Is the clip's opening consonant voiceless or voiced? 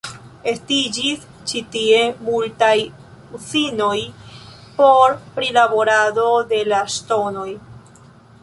voiceless